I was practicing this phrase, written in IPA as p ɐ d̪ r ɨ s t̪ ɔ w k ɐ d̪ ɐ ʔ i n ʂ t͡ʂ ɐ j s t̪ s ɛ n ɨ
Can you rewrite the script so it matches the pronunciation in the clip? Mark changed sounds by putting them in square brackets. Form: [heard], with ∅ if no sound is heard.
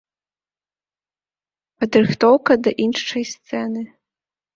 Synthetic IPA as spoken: p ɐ d̪ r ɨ [x] t̪ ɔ w k ɐ d̪ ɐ ʔ i n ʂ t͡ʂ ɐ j s t̪ s ɛ n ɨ

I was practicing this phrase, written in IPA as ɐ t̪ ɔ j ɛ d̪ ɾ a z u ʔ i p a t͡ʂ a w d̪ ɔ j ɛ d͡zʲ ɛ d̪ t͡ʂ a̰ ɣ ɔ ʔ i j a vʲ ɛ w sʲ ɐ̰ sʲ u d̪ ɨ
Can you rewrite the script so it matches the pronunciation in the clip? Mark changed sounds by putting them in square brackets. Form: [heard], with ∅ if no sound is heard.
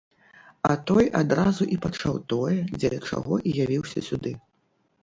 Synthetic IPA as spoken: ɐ t̪ ɔ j [a] d̪ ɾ a z u ʔ i p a t͡ʂ a w [t̪] ɔ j ɛ d͡zʲ ɛ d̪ t͡ʂ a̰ ɣ ɔ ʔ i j a vʲ [i] w sʲ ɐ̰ sʲ u d̪ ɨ

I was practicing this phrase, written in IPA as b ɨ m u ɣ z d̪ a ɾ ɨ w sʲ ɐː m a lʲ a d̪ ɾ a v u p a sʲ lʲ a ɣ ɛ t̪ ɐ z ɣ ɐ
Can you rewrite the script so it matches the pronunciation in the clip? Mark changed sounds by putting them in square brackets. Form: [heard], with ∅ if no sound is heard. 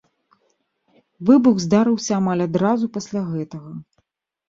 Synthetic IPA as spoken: [v] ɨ [b] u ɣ z d̪ a ɾ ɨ w sʲ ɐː m a lʲ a d̪ ɾ a [z] u p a sʲ lʲ a ɣ ɛ t̪ ɐ [∅] ɣ ɐ

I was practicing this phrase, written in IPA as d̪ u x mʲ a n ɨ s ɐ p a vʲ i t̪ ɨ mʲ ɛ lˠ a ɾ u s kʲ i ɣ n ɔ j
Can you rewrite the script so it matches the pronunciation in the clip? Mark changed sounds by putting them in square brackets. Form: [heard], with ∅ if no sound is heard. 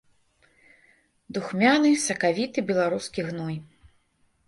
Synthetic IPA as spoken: d̪ u x mʲ a n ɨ s ɐ [k] a vʲ i t̪ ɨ [bʲ] ɛ lˠ a ɾ u s kʲ i ɣ n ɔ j

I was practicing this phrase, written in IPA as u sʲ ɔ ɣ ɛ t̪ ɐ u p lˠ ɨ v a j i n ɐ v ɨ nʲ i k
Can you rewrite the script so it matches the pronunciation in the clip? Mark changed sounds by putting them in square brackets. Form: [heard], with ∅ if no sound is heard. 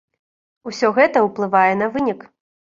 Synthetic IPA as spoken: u sʲ ɔ ɣ ɛ t̪ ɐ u p lˠ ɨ v a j [ɛ] n ɐ v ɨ nʲ i k

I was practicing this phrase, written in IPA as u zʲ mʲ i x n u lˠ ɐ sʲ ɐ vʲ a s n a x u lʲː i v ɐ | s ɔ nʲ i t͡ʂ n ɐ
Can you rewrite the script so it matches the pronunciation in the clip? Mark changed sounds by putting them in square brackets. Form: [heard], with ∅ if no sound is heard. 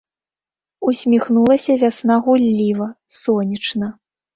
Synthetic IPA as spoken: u [sʲ] mʲ i x n u lˠ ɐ sʲ ɐ vʲ a s n a [ɣ] u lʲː i v ɐ | s ɔ nʲ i t͡ʂ n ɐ

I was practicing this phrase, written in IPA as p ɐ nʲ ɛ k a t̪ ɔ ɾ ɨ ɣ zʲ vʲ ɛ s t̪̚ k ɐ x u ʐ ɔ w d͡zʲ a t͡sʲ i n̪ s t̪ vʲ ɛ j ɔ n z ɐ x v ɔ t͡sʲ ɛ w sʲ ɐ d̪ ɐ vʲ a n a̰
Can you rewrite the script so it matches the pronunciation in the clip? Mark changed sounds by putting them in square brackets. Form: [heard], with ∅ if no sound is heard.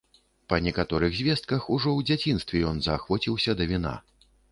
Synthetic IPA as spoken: p ɐ nʲ ɛ k a t̪ ɔ ɾ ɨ ɣ zʲ vʲ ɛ s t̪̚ k ɐ x u ʐ ɔ w d͡zʲ a t͡sʲ i n̪ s t̪ vʲ ɛ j ɔ n z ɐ x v ɔ t͡sʲ [i] w sʲ ɐ d̪ ɐ vʲ [i] n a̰

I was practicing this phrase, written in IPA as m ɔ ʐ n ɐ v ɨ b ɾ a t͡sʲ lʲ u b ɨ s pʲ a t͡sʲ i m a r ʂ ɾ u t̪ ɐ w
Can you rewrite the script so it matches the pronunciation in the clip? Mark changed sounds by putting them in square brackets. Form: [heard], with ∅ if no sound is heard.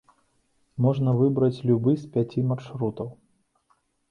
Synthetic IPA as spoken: m ɔ ʐ n ɐ v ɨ b ɾ [ɐ] t͡sʲ lʲ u b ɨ s pʲ a t͡sʲ i m a r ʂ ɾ u t̪ ɐ w

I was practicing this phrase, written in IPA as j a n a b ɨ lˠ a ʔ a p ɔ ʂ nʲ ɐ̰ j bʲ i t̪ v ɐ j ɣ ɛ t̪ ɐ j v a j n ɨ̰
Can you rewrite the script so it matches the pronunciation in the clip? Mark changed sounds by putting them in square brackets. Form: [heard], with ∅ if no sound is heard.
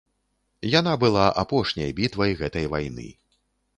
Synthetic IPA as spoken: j a n a b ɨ lˠ a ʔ a p ɔ ʂ nʲ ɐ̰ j bʲ i t̪ v ɐ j ɣ ɛ t̪ ɐ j v a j n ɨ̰

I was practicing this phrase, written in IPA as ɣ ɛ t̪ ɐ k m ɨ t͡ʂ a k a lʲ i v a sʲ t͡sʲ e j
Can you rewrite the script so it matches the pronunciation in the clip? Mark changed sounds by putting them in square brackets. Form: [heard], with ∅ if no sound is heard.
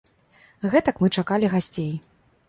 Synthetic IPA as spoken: ɣ ɛ t̪ ɐ k m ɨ t͡ʂ a k a lʲ i [ɣ] a sʲ t͡sʲ e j

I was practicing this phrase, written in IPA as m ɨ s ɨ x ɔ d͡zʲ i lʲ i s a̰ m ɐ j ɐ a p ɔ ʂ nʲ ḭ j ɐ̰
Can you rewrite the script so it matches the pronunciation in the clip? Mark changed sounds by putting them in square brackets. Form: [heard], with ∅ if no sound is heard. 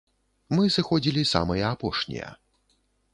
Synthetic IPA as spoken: m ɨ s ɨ x ɔ d͡zʲ i lʲ i s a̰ m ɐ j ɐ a p ɔ ʂ nʲ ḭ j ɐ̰

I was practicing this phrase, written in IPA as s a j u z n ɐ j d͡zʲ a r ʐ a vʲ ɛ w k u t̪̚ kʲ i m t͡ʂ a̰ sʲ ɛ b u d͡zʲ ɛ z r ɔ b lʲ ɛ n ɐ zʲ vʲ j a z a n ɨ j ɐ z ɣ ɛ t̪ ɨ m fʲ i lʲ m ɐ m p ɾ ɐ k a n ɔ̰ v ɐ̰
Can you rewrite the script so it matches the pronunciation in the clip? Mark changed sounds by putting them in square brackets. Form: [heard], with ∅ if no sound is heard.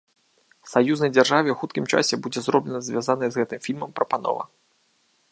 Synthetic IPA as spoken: s a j u z n ɐ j d͡zʲ a r ʐ a vʲ ɛ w [x] u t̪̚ kʲ i m t͡ʂ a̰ sʲ ɛ b u d͡zʲ ɛ z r ɔ b lʲ ɛ n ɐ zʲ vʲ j a z a n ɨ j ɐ z ɣ ɛ t̪ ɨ m fʲ i lʲ m ɐ m p ɾ ɐ [p] a n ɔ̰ v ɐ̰

